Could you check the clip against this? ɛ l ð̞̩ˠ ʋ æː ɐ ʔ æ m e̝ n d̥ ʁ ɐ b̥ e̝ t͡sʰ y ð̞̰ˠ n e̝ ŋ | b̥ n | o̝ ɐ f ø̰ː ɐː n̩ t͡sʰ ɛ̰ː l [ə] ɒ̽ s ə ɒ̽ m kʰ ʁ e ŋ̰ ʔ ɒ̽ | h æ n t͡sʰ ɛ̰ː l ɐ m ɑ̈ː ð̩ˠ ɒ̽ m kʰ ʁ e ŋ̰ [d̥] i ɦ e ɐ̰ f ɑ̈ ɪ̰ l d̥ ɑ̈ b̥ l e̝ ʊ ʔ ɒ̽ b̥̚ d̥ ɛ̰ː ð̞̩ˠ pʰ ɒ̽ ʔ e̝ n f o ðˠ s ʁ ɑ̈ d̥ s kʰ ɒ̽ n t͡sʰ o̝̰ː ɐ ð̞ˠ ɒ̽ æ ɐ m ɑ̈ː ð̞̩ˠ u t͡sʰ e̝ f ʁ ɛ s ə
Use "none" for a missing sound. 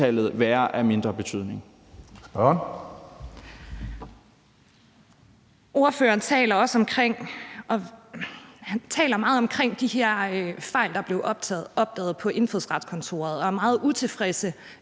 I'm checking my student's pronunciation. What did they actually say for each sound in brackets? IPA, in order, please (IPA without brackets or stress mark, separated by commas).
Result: ɐ, d̥